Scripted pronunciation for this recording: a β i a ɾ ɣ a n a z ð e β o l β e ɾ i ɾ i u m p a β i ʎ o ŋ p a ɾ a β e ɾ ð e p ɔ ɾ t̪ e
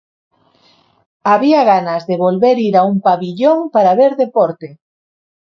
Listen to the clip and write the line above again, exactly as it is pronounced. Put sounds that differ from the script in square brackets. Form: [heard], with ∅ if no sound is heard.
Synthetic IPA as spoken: a β i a [∅] ɣ a n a z ð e β o l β e ɾ i ɾ [a] u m p a β i ʎ o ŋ p a ɾ a β e ɾ ð e p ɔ ɾ t̪ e